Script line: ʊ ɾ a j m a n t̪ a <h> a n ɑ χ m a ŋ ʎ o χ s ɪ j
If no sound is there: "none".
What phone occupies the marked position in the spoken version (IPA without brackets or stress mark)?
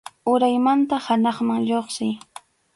h